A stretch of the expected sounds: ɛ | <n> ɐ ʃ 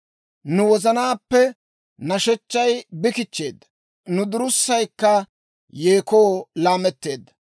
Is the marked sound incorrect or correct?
correct